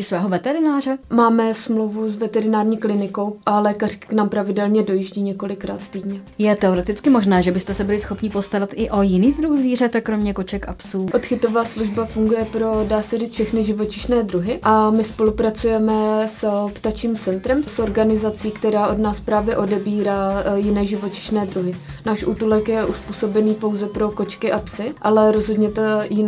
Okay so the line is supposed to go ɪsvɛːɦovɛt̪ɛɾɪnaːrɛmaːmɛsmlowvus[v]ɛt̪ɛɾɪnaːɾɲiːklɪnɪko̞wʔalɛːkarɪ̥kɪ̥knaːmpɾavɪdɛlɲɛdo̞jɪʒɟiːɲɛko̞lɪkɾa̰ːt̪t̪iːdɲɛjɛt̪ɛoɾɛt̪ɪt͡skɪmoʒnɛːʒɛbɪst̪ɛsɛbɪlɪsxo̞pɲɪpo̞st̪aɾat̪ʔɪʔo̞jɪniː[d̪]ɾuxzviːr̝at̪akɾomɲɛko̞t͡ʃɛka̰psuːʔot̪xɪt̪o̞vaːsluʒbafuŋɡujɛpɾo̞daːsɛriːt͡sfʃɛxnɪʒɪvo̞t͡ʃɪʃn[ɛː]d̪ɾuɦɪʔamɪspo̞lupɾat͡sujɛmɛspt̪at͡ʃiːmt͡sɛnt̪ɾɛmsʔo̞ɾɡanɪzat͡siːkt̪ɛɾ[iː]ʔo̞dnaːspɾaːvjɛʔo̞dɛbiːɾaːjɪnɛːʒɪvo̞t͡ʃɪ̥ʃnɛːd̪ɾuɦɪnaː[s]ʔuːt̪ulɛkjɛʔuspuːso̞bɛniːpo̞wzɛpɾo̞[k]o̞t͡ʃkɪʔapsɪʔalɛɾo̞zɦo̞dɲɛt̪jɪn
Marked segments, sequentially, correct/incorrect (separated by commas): correct, correct, correct, incorrect, incorrect, correct